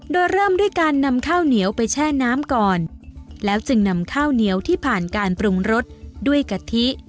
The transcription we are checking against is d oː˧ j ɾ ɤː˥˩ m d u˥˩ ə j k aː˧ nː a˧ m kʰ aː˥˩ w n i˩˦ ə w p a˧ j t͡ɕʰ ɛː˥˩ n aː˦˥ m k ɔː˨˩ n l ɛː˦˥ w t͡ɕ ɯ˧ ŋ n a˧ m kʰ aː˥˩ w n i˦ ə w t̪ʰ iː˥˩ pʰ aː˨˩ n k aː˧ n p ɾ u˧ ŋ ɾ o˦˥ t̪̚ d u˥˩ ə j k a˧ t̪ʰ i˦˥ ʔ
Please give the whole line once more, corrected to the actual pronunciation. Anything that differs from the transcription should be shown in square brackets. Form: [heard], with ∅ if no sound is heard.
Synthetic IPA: d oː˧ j ɾ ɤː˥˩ m d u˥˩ ə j k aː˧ nː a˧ m kʰ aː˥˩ w n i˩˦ ə w p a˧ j t͡ɕʰ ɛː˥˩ n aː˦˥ m k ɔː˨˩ n l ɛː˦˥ w t͡ɕ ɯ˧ ŋ n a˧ m kʰ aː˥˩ w n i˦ ə w t̪ʰ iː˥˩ pʰ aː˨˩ n k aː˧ n p ɾ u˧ ŋ ɾ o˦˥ t̪̚ d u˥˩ ə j k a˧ t̪ʰ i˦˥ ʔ